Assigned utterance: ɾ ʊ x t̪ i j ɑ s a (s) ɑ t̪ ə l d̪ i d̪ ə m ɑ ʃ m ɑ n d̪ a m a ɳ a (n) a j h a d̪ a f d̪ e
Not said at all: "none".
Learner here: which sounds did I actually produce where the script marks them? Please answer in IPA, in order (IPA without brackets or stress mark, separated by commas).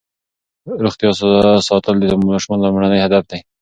s, n